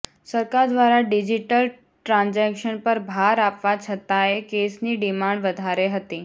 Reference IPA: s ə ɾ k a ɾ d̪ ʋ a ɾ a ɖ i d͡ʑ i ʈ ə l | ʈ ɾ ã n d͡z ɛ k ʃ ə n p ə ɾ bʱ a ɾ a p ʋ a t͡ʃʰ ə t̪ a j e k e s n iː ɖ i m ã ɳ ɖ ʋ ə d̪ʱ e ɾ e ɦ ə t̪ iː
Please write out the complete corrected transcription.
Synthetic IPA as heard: s ə ɾ k a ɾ d̪ ʋ a ɾ a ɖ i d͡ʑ i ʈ ə l | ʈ ɾ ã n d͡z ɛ k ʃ ə n p ə ɾ bʱ a ɾ a p ʋ a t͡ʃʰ ə t̪ a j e k e s n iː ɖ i m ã ɳ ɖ ʋ ə d̪ʱ a ɾ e ɦ ə t̪ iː